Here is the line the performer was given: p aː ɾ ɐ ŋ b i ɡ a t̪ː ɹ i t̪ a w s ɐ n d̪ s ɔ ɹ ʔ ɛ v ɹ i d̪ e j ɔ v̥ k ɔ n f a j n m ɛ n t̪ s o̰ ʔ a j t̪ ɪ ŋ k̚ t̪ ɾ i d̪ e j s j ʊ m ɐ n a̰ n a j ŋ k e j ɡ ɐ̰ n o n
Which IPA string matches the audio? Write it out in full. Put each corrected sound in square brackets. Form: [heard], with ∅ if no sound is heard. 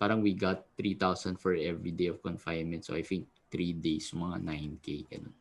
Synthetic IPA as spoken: p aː ɾ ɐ ŋ [w] i ɡ a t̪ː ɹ i t̪ a w s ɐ n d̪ [f] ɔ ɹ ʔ ɛ v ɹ i d̪ e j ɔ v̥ k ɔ n f a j n m ɛ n t̪ s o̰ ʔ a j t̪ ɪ ŋ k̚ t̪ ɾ i d̪ e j s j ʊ m ɐ [ŋ] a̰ n a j [n] k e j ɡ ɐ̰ n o n